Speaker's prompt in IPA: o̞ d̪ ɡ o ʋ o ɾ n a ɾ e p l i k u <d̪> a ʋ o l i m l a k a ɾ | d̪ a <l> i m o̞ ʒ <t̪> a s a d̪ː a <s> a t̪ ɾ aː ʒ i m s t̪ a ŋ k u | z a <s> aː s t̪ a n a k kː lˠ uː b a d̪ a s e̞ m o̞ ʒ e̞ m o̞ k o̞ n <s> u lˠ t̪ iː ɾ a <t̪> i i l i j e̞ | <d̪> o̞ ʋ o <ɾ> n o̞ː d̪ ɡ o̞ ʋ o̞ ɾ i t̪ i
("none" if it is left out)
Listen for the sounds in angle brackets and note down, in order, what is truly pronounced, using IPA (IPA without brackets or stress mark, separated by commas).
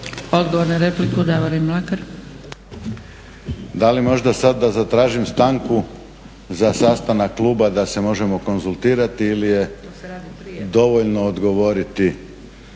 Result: d̪, l, d̪, z, s, z, t̪, d̪, ʎ